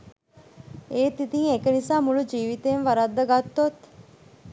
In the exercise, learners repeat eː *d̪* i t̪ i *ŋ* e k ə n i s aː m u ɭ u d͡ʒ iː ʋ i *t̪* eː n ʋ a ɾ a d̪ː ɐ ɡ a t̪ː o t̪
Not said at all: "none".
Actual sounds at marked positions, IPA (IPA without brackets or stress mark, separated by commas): t̪, ŋ, t̪